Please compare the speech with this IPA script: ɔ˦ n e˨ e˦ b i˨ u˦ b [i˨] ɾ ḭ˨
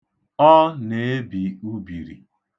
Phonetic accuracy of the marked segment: correct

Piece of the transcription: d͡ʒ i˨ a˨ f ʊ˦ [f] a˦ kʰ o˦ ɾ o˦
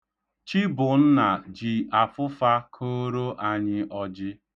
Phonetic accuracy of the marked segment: correct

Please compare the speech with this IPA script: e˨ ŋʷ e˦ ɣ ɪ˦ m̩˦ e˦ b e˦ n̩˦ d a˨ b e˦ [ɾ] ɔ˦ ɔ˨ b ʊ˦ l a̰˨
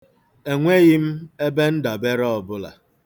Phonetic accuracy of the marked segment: correct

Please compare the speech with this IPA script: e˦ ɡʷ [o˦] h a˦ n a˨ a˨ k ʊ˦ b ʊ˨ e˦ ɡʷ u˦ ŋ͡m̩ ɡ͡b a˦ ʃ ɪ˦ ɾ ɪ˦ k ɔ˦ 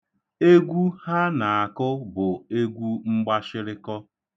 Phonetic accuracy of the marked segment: incorrect: u˦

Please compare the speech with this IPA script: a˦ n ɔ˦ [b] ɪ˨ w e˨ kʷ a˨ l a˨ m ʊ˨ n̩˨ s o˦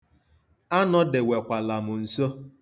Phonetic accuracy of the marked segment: incorrect: d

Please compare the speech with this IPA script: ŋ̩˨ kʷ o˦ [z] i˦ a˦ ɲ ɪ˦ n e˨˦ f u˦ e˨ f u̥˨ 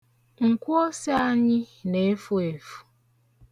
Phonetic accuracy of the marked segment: incorrect: s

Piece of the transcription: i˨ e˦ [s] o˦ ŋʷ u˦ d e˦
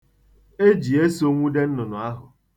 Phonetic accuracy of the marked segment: correct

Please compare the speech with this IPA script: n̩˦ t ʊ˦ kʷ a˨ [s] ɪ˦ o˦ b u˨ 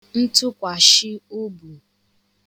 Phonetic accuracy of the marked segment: incorrect: ʃ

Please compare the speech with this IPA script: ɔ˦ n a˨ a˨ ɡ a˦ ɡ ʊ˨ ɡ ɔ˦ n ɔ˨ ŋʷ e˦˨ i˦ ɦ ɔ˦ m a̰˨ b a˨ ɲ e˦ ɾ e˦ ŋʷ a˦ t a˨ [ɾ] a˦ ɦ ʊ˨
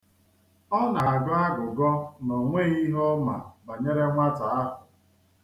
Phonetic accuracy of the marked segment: incorrect: none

